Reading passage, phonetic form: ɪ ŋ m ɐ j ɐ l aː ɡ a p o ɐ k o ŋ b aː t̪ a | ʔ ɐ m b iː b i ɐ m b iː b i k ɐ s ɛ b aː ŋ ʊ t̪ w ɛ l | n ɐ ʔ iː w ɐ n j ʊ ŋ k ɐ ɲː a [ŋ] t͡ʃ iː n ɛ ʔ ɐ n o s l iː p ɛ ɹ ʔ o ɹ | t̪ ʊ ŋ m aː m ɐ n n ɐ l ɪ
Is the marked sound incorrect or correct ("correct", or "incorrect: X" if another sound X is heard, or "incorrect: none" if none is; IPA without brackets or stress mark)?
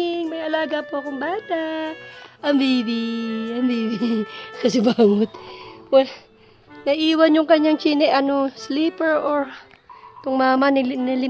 correct